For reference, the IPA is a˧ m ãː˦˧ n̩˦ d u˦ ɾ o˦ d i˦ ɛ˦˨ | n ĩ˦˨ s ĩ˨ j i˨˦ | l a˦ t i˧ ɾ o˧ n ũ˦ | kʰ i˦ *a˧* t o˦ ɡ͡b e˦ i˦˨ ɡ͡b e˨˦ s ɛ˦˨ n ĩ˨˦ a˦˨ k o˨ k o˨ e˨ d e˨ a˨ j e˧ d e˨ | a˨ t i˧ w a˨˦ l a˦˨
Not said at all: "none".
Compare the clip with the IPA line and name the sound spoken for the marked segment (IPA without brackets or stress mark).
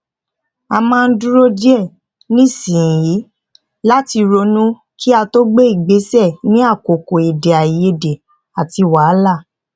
a˧